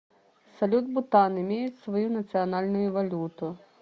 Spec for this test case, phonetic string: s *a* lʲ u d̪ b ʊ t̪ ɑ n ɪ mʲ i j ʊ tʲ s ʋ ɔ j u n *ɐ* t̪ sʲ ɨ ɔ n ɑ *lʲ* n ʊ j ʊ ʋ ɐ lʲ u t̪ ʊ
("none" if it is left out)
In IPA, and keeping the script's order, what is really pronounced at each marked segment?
ɐ, ɐ, lʲ

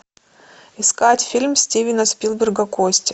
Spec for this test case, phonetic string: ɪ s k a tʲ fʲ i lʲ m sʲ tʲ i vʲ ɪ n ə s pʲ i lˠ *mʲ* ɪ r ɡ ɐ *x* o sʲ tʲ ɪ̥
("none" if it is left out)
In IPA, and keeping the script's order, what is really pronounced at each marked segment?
bʲ, k

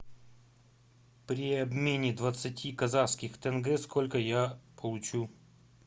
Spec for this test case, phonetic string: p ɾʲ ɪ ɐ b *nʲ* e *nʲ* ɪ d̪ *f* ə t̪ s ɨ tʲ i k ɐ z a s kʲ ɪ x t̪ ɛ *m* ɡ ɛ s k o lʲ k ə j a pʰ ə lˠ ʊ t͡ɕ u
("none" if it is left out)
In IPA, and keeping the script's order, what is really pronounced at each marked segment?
mʲ, nʲ, v, n

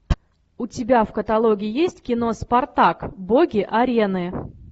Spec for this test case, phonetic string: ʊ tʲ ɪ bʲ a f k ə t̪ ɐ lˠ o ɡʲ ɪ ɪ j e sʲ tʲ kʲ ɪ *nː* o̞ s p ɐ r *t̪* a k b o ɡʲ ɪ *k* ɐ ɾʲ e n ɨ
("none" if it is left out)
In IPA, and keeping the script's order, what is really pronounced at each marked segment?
n, t̪, ʔ

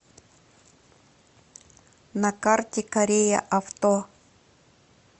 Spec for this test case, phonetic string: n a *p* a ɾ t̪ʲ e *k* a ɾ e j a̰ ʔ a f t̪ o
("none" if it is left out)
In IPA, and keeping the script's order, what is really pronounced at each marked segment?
k, k

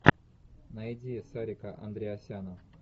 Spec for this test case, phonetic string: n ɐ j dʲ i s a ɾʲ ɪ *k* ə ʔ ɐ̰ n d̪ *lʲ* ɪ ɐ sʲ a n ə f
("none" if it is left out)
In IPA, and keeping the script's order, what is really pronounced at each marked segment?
k, ɾʲ

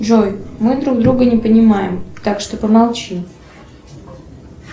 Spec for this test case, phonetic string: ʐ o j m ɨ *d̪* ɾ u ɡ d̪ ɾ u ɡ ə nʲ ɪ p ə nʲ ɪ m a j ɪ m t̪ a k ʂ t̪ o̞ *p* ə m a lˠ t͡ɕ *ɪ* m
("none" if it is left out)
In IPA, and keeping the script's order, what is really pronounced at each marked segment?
d̪, p, i

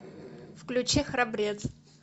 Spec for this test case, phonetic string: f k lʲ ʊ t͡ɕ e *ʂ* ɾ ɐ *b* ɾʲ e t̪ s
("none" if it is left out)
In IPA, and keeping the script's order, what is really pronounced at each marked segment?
x, b

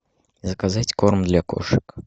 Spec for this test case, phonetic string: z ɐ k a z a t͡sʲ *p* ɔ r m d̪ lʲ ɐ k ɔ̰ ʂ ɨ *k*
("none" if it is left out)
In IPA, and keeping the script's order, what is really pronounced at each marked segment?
k, k

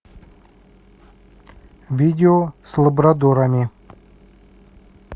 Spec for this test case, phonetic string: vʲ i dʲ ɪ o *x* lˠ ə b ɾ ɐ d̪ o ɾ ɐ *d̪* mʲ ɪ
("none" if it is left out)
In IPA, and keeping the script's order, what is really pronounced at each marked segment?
s, none

